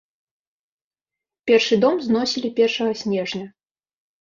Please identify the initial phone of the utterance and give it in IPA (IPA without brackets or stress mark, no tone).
pʲ